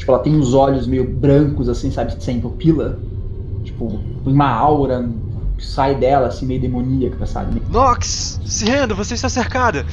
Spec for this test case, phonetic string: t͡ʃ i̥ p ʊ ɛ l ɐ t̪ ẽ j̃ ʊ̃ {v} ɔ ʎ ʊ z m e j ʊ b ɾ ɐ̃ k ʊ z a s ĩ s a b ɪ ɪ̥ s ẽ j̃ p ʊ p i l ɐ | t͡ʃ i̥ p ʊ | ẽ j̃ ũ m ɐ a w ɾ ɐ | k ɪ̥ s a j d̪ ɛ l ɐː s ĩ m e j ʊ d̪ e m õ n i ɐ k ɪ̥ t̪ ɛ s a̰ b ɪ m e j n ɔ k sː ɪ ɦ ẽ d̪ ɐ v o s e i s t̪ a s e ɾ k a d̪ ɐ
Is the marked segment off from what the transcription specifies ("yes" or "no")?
yes